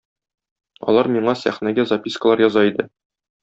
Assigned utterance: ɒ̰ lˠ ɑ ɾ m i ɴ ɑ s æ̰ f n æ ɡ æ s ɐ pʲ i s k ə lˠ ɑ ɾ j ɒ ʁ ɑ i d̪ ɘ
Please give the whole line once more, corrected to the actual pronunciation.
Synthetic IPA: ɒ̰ lˠ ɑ ɾ m i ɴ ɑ s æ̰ χ n æ ɡ æ z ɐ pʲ i s k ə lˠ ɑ ɾ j ɒ z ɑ i d̪ ɘ